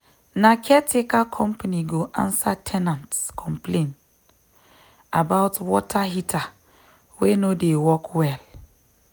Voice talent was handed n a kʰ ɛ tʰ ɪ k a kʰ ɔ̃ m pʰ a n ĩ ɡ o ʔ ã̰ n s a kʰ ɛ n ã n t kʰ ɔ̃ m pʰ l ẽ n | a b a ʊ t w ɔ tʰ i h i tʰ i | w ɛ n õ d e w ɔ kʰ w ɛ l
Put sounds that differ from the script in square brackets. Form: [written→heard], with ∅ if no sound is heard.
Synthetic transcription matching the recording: n a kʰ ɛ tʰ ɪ k a kʰ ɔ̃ m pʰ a n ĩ ɡ o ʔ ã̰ n s a [kʰ→tʰ] ɛ n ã n t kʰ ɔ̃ m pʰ l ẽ n | a b a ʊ t w ɔ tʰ [i→a] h i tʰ [i→a] | w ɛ n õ d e w ɔ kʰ w ɛ l